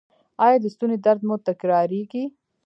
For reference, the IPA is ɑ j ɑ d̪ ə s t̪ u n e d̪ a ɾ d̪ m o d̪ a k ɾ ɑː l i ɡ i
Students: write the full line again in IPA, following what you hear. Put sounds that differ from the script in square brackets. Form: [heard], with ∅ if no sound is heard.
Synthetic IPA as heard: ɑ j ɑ d̪ ə s t̪ u n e d̪ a ɾ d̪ m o [t̪] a k ɾ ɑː [ɾ] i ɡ i